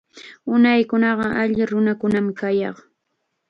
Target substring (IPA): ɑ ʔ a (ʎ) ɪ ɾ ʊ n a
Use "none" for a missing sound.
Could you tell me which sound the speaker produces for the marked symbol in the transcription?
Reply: ʎ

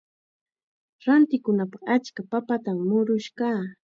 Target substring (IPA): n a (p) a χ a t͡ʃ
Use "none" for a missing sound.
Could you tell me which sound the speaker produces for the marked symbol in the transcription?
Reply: p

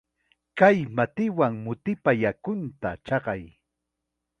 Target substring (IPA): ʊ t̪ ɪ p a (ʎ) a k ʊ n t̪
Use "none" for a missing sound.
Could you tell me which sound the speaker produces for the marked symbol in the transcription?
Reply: j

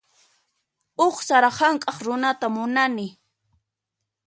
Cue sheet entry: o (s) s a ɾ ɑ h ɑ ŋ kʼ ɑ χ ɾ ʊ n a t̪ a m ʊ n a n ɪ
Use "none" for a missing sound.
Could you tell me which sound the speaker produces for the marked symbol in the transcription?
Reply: χ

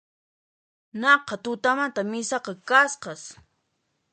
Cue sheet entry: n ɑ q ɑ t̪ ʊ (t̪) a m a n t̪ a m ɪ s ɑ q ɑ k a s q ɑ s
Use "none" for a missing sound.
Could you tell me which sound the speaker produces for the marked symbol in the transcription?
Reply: t̪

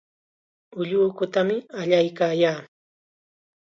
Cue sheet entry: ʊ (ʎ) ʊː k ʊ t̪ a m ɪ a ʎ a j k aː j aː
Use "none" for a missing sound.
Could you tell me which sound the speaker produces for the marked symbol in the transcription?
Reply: ʎ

